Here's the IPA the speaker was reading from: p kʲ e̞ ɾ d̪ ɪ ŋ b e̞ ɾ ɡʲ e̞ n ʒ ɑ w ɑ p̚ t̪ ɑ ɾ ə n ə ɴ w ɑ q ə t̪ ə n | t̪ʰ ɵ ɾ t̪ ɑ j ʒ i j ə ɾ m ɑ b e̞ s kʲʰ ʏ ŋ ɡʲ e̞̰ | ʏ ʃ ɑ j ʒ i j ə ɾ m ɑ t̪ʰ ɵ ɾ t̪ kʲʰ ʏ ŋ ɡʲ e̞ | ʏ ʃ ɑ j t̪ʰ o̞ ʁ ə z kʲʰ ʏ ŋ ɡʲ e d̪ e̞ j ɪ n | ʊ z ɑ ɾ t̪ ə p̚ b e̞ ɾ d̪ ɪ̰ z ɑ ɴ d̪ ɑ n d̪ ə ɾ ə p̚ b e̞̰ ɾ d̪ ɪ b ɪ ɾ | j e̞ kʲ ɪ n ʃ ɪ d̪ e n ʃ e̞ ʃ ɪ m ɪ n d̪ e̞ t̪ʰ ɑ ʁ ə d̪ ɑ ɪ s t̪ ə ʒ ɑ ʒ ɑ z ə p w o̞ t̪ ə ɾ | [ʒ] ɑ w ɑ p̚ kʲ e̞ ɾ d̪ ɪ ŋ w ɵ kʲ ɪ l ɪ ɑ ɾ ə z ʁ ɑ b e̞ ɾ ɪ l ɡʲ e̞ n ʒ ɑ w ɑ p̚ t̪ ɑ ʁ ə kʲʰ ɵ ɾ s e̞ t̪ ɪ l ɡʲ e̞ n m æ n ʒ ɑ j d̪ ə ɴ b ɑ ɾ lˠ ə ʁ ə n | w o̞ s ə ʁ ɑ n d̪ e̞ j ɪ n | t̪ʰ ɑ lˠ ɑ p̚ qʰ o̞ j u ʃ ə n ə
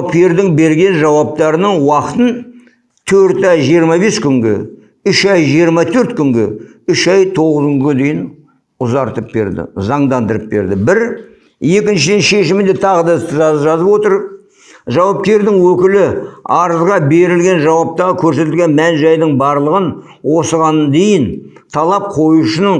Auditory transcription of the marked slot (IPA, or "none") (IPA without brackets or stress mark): ʒ